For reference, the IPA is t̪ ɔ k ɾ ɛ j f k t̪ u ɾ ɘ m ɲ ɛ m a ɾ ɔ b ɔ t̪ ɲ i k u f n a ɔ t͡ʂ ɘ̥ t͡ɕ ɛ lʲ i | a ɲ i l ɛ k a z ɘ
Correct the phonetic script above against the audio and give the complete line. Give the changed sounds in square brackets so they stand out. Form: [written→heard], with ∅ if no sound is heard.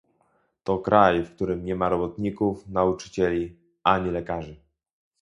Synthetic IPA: t̪ ɔ k ɾ [ɛ→a] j f k t̪ u ɾ ɘ m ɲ ɛ m a ɾ ɔ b ɔ t̪ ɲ i k u f n a [ɔ→u] t͡ʂ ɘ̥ t͡ɕ ɛ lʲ i | a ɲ i l ɛ k a [z→ʐ] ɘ